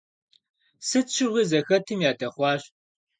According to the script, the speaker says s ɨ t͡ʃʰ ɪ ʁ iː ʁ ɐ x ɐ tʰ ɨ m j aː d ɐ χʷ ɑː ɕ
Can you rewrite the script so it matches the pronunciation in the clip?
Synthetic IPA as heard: s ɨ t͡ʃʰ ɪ ʁ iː z ɐ x ɐ tʰ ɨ m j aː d ɐ χʷ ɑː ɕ